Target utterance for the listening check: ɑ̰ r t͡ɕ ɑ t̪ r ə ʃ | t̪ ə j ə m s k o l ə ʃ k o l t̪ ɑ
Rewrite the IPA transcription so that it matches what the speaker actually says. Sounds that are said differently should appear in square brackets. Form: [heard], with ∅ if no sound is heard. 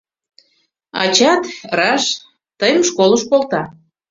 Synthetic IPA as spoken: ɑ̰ [∅] t͡ɕ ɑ t̪ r [ɑ] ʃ | t̪ ə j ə m [ʃ] k o l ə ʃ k o l t̪ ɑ